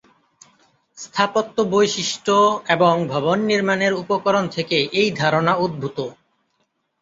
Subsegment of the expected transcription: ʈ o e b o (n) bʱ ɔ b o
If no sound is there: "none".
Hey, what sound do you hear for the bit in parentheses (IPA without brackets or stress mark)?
ŋ